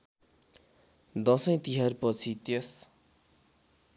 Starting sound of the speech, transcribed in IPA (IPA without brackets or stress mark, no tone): d̪